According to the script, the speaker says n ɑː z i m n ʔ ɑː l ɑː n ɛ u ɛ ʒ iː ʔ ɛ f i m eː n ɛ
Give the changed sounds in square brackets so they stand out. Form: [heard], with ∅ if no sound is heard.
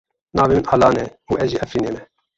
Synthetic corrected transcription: n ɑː [v] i m n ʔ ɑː l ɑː n ɛ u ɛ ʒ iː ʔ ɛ f i [n] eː [m] ɛ